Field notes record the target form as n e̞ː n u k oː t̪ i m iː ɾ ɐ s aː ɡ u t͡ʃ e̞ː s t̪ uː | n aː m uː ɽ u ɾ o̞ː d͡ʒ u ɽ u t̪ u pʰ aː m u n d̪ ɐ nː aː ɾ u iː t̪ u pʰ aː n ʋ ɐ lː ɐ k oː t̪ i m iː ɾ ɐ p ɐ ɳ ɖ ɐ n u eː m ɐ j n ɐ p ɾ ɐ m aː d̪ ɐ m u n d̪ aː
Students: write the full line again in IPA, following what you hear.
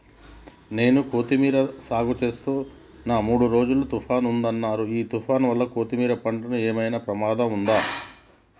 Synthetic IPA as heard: n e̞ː n u k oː t̪ i m iː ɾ ɐ s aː ɡ u t͡ʃ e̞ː s t̪ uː | n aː m uː ɽ u ɾ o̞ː d͡ʒ u l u t̪ u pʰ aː n u n d̪ ɐ nː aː ɾ u iː t̪ u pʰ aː n ʋ ɐ lː ɐ k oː t̪ i m iː ɾ ɐ p ɐ ɳ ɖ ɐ n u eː m ɐ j n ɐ p ɾ ɐ m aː d̪ ɐ m u n d̪ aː